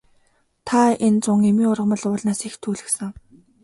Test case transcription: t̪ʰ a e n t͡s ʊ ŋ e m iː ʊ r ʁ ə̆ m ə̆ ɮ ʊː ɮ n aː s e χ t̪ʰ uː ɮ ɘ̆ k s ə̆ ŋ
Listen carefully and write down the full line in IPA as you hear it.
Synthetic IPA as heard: t̪ʰ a e n t͡s ʊ ŋ e m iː ʊ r ʁ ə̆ m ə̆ ɮ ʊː ɮ n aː s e x t̪ʰ uː ɮ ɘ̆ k s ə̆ ŋ

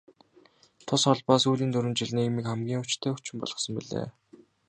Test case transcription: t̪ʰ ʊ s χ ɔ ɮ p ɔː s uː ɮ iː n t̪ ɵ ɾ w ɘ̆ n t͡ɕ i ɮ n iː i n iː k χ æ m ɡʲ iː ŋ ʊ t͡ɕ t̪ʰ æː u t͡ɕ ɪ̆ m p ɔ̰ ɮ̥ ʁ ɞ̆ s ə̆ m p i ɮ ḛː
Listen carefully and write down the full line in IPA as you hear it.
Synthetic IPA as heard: t̪ʰ ʊ s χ ɔ ɮ p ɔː s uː ɮ iː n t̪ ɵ ɾ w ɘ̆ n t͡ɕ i ɮ n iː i m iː k χ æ m ɡʲ iː ŋ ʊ t͡ɕ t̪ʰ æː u t͡ɕ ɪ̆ m p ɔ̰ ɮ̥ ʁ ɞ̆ s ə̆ m p i ɮ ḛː

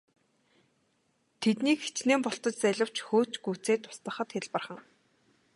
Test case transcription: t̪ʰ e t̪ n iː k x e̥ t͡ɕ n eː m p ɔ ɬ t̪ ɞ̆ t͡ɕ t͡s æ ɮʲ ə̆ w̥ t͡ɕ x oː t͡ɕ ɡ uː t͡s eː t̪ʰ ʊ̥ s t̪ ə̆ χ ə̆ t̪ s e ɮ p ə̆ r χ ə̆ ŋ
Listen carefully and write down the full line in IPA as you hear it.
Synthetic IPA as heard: t̪ʰ e t̪ n iː k x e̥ t͡ɕ n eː m p ɔ ɬ t̪ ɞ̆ t͡ɕ t͡s æ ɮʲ ə̆ w̥ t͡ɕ x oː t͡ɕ ɡ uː t͡s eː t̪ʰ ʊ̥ s t̪ ə̆ χ ə̆ t̪ x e ɮ p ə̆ r χ ə̆ ŋ

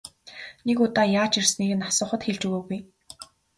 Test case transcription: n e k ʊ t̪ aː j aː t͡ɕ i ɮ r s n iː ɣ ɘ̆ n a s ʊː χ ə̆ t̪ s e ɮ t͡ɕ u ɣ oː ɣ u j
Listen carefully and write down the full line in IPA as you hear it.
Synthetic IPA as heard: n e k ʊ t̪ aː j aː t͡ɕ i r s n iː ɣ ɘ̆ n a s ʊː χ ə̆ t̪ x e ɮ t͡ɕ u ɣ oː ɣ u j

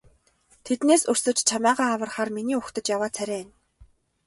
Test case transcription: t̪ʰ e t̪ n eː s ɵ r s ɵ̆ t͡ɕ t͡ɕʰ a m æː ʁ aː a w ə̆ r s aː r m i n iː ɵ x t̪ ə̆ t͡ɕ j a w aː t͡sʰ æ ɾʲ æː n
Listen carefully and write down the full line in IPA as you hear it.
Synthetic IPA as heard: t̪ʰ e t̪ n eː s ɵ r s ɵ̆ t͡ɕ t͡ɕʰ a m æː ʁ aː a w ə̆ r χ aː r m i n iː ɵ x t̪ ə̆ t͡ɕ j a w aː t͡sʰ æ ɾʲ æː n

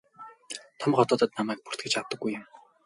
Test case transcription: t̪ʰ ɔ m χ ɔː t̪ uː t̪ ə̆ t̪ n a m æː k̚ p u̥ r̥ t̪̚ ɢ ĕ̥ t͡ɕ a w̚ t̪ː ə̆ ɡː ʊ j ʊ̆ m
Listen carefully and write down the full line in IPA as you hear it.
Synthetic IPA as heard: t̪ʰ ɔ m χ ɔ t̪ ɔː t̪ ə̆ t̪ n a m æː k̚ p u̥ r̥ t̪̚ ɡ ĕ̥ t͡ɕ a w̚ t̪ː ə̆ ɡː u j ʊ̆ m

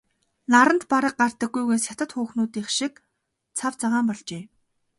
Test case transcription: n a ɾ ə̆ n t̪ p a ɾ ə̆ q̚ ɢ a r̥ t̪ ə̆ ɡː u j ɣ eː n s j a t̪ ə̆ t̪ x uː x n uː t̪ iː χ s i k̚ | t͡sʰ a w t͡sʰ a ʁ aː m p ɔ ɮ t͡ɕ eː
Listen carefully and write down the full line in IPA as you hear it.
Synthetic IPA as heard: n a ɾ ə̆ n t̪ p a ɾ ə̆ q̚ ɢ a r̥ t̪ ə̆ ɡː u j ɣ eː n s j a t̪ ə̆ t̪ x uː x n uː t̪ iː χ ʃ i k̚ | t͡sʰ a w t͡s a ʁ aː m p ɔ ɮ t͡ɕ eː

